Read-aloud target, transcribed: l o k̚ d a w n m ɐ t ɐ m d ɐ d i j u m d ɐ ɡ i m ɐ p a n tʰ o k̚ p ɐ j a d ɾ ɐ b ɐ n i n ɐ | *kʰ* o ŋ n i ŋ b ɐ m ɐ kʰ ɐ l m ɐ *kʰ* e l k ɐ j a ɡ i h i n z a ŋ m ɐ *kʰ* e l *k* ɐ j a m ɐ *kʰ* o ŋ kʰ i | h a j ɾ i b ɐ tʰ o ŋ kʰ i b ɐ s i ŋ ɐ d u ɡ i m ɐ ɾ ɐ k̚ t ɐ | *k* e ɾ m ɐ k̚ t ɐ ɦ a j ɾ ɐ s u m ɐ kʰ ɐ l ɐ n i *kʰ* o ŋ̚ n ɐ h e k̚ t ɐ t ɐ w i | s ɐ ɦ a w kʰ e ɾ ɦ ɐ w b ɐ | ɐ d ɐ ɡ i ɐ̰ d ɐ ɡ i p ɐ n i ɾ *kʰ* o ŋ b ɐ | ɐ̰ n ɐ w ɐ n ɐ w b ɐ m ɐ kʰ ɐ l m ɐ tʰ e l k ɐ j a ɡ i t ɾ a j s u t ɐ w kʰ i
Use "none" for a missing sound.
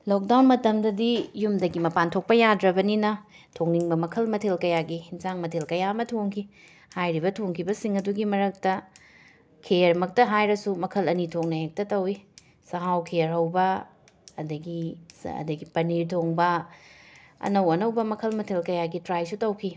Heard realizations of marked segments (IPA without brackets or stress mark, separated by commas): tʰ, tʰ, tʰ, k, tʰ, kʰ, tʰ, tʰ